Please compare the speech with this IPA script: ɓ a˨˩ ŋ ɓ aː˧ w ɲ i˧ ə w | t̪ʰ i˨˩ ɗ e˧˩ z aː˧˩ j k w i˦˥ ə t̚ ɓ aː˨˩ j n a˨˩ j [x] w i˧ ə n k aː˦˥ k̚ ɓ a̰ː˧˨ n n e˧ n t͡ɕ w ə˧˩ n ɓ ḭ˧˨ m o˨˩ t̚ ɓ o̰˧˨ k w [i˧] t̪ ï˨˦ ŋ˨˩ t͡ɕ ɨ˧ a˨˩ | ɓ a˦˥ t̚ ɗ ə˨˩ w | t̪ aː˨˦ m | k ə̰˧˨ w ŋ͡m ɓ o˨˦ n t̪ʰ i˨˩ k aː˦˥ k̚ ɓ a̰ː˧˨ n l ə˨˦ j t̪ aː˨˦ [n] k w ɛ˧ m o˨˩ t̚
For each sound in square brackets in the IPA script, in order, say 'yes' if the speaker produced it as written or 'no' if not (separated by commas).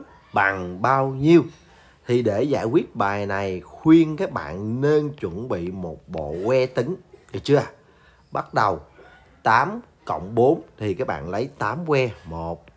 yes, no, no